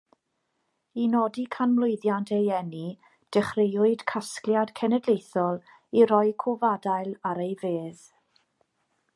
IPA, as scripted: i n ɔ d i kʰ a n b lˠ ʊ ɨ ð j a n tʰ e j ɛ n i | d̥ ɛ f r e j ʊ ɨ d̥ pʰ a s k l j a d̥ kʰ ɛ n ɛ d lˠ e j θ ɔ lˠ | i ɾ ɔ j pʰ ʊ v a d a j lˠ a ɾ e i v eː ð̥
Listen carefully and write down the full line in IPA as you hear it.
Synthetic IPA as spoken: i n ɔ d i kʰ a n m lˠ ʊ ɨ ð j a n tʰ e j ɛ n i | d̥ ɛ χ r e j ʊ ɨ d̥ kʰ a s k l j a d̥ kʰ ɛ n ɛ d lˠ e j θ ɔ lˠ | i ɾ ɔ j kʰ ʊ v a d a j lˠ a ɾ e j v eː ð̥